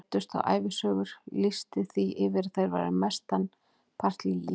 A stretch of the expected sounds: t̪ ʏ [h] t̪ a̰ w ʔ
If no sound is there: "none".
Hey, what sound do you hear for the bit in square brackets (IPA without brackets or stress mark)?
s